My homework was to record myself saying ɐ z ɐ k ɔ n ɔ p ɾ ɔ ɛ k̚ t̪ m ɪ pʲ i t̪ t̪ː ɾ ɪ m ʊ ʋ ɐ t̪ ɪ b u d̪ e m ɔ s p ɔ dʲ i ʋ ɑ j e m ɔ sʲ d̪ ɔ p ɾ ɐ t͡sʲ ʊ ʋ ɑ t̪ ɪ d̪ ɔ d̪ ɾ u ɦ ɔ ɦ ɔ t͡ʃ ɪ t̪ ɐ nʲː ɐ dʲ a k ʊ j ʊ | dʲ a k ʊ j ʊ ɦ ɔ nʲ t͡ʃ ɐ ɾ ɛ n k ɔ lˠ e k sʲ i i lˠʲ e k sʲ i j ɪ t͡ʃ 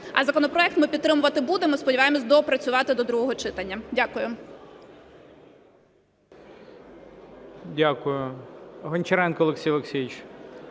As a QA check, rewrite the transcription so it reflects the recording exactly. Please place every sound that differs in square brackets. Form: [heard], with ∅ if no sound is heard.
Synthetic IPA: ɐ z ɐ k ɔ n ɔ p ɾ ɔ ɛ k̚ t̪ m ɪ pʲ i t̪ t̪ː ɾ ɪ m ʊ ʋ ɐ t̪ ɪ b u d̪ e m ɔ s p ɔ dʲ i ʋ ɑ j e m ɔ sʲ d̪ ɔ p ɾ ɐ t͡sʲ ʊ ʋ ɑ t̪ ɪ d̪ ɔ d̪ ɾ u ɦ ɔ ɦ ɔ t͡ʃ ɪ t̪ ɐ nʲː ɐ dʲ a k ʊ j ʊ | dʲ a k ʊ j ʊ ɦ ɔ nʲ t͡ʃ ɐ ɾ ɛ n k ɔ lˠ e k sʲ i [j] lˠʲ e k sʲ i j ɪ t͡ʃ